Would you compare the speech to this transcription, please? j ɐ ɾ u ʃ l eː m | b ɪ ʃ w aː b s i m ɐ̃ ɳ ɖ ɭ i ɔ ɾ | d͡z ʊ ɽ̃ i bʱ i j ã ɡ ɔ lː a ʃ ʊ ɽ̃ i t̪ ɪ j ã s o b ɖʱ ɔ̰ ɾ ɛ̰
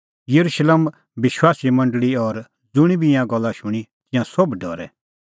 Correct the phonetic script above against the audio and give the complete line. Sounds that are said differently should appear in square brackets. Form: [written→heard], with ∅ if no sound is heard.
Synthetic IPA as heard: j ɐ ɾ u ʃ l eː m | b ɪ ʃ w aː [b→∅] s i m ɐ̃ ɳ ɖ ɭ i ɔ ɾ | d͡z ʊ ɽ̃ i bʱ i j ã ɡ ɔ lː a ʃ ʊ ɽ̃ i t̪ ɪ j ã s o b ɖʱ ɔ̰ ɾ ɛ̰